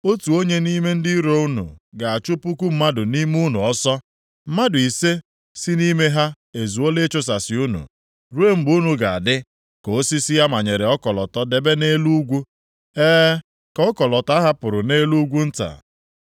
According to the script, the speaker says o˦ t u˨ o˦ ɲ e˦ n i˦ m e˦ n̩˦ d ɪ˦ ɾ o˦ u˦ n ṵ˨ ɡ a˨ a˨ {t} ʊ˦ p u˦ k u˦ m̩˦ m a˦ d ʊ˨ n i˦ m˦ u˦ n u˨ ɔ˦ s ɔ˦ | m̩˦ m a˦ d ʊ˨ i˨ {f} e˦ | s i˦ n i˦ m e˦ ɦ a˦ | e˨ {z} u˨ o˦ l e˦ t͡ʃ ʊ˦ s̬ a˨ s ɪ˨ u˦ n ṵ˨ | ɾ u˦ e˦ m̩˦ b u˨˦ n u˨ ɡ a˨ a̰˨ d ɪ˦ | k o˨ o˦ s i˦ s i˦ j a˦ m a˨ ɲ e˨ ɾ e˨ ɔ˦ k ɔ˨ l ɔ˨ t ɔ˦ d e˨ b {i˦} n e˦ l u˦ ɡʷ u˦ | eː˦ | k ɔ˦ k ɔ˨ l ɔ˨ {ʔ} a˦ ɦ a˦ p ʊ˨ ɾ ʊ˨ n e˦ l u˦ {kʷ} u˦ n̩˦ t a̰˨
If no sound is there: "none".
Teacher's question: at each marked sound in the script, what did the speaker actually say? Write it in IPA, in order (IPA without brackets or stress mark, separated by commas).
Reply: t͡ʃ, s, z, e˦, t, ɡʷ